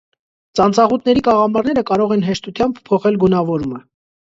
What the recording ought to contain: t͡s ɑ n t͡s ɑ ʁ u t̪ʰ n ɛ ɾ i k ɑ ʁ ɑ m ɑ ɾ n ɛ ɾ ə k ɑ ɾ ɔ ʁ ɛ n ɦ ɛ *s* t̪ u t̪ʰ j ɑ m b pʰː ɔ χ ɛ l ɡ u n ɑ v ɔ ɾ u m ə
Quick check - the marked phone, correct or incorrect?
incorrect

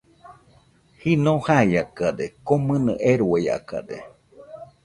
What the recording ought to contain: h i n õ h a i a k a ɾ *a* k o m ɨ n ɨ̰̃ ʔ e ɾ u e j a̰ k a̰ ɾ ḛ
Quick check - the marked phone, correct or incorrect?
incorrect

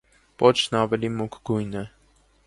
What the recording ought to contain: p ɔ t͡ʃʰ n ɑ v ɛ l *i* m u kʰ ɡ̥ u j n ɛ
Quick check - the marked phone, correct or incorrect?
correct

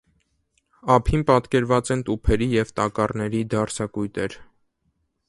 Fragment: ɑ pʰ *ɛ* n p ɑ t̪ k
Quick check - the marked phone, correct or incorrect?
incorrect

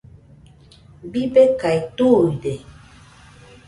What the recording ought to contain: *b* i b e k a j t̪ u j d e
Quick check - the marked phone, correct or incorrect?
correct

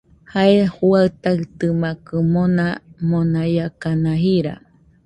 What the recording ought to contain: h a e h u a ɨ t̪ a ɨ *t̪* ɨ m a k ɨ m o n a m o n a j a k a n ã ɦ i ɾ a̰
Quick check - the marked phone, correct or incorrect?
correct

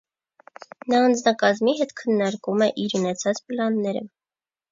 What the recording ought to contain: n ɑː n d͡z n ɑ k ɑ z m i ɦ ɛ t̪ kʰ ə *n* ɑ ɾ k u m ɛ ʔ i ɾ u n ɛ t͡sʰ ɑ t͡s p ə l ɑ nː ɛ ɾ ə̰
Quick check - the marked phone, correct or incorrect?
incorrect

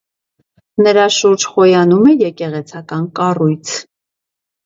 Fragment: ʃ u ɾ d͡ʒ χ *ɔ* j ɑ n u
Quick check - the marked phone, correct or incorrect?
correct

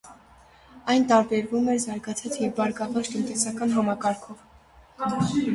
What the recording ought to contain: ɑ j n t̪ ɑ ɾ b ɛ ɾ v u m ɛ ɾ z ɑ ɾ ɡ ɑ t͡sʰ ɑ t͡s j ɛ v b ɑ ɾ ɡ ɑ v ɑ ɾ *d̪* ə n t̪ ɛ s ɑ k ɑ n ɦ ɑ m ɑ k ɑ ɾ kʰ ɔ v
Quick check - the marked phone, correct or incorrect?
incorrect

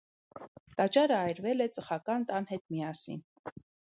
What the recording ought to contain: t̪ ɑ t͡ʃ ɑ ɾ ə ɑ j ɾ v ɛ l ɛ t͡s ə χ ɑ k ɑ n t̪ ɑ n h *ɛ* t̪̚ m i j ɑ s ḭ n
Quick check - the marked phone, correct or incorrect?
correct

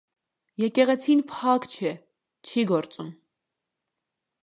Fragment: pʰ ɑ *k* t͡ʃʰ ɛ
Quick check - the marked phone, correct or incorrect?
correct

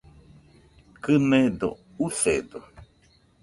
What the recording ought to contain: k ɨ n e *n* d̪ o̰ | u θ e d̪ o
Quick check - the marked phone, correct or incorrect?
incorrect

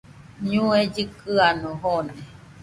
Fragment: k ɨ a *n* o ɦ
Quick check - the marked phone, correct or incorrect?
correct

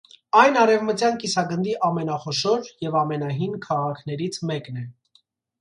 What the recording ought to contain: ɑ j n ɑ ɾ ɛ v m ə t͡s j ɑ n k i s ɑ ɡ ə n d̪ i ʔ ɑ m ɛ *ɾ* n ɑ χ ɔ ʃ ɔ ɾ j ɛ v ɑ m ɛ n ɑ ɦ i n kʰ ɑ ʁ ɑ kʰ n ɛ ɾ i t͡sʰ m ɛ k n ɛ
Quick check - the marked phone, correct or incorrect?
incorrect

